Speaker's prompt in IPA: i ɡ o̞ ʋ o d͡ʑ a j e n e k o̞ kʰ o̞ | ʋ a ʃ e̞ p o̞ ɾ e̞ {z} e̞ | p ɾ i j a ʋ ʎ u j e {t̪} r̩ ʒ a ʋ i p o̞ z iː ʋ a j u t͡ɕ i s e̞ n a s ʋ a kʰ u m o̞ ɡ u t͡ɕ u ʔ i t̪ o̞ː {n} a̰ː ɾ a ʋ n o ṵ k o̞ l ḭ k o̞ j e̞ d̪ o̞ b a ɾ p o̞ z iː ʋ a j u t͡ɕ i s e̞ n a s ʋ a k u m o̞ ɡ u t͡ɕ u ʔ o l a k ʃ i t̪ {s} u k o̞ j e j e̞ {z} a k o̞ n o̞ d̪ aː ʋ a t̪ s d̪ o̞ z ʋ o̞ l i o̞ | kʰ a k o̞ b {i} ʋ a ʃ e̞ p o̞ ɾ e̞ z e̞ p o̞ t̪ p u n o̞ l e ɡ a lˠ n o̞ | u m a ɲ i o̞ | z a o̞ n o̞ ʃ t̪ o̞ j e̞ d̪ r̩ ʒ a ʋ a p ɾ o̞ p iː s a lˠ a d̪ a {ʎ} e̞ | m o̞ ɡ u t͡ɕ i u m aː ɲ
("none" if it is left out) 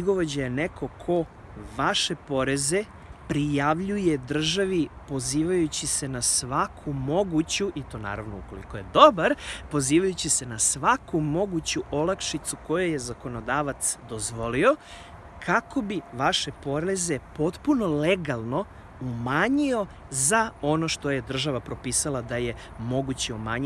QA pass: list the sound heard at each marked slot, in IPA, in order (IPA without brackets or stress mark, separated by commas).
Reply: z, d̪, n, s, z, i, j